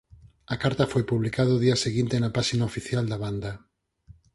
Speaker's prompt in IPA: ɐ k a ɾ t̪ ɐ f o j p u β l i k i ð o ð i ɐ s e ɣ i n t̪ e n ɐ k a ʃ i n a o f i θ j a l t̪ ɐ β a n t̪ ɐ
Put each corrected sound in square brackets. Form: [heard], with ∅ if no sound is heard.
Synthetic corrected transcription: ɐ k a ɾ t̪ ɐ f o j p u β l i k [a] ð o ð i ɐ s e ɣ i n t̪ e n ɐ [p] a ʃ i n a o f i θ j a l [d̪] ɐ β a n [d̪] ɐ

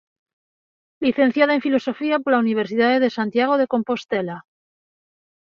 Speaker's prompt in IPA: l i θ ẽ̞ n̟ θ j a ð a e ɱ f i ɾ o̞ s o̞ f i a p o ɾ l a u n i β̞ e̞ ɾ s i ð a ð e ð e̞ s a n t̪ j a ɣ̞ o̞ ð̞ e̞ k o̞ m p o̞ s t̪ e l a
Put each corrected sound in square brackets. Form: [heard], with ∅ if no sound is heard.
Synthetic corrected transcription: l i θ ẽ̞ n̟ θ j a ð a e ɱ f i [l] o̞ s o̞ f i a p o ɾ l a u n i β̞ e̞ ɾ s i ð a ð e ð e̞ s a n t̪ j a ɣ̞ o̞ ð̞ e̞ k o̞ m p o̞ s t̪ e l a

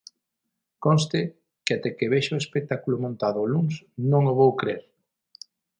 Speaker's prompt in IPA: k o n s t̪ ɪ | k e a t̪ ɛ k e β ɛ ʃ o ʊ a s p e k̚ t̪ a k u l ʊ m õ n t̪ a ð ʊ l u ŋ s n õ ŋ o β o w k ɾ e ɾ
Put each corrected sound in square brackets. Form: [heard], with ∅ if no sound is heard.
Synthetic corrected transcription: k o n s t̪ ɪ | k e a t̪ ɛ k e β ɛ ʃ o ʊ [e] s p e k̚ t̪ a k u l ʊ m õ n t̪ a ð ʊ l u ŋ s n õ ŋ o β o w k ɾ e ɾ

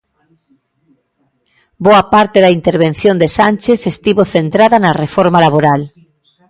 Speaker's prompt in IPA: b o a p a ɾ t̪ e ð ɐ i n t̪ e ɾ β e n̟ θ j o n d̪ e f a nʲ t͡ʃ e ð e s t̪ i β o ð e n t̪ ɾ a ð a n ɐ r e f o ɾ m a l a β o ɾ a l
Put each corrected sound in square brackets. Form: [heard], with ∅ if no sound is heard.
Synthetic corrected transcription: b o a p a ɾ t̪ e ð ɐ i n t̪ e ɾ β e n̟ θ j o n d̪ e [s] a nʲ t͡ʃ e [θ] e s t̪ i β o [θ] e n t̪ ɾ a ð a n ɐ r e f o ɾ m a l a β o ɾ a l

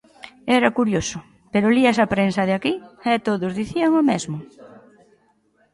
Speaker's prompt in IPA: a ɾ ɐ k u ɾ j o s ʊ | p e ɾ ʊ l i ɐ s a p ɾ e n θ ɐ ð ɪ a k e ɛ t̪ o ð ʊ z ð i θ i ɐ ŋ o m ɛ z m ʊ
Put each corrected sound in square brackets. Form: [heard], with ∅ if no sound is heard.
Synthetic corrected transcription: [ɛ] ɾ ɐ k u ɾ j o s ʊ | p e ɾ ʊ l i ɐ s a p ɾ e n [s] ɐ ð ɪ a k [i] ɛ t̪ o ð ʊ z ð i θ i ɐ ŋ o m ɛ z m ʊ

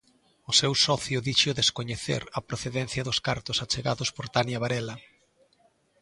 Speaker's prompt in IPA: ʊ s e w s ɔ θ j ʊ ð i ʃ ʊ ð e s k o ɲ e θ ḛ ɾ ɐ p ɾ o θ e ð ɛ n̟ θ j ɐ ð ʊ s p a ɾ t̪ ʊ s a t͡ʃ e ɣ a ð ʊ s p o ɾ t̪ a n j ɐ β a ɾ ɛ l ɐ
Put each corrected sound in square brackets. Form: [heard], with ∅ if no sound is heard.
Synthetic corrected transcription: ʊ s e w s ɔ θ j ʊ ð i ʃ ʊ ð e s k o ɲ e θ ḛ ɾ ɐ p ɾ o θ e ð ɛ n̟ θ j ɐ ð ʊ s [k] a ɾ t̪ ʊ s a t͡ʃ e ɣ a ð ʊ s p o ɾ t̪ a n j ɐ β a ɾ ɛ l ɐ

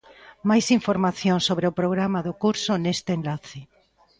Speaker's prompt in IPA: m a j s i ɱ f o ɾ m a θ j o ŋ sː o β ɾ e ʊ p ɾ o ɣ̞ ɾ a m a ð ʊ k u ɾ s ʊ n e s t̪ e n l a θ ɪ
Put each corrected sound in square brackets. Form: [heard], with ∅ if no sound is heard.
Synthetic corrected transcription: m a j s i ɱ f o ɾ m a θ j o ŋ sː o β ɾ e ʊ p ɾ o ɣ̞ ɾ a m a ð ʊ k u ɾ s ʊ n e s t̪ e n l a θ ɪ

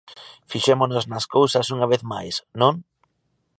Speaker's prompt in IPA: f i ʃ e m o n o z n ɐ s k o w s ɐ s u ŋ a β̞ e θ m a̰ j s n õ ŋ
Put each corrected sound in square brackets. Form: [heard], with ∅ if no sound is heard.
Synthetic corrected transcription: f i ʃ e m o n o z n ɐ s k o w s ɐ s u ŋ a β̞ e θ m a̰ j s n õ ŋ

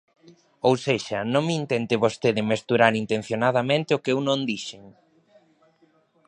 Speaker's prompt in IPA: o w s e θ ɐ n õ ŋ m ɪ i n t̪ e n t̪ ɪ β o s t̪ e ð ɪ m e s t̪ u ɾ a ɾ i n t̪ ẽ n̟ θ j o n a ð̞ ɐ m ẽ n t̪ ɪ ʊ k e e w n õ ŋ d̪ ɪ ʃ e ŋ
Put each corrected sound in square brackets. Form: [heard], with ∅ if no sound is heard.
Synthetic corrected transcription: o w s e [ʃ] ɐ n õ ŋ m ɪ i n t̪ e n t̪ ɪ β o s t̪ e ð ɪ m e s t̪ u ɾ a ɾ i n t̪ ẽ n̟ θ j o n a ð̞ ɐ m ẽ n t̪ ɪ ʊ k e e w n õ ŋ d̪ [i] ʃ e ŋ

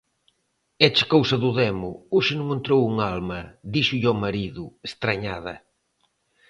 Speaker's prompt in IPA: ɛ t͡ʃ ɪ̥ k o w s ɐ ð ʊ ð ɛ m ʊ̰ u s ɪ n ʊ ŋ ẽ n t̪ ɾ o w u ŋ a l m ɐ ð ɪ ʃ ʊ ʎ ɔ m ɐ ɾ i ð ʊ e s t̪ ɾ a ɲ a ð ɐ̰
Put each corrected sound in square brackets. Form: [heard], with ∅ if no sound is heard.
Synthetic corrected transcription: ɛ t͡ʃ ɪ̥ k o w s ɐ ð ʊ ð ɛ m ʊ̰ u [ʃ] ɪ n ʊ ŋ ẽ n t̪ ɾ o w u ŋ a l m ɐ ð [i] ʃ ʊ ʎ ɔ m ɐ ɾ i ð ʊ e s t̪ ɾ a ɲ a ð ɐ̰

